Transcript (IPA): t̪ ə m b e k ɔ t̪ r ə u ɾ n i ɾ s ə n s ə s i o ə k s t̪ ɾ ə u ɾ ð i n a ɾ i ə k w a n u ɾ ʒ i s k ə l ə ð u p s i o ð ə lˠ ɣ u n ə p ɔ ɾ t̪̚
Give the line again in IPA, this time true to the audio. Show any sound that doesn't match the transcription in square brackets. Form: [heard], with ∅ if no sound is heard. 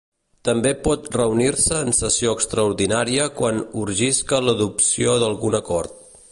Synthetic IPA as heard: t̪ ə m b e [p] ɔ t̪ r ə u [∅] n i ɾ s [əː] n s ə s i o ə k s t̪ ɾ ə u ɾ ð i n a ɾ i ə k w a n u ɾ ʒ i s k ə l ə ð u p s i o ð ə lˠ ɣ u n ə [k] ɔ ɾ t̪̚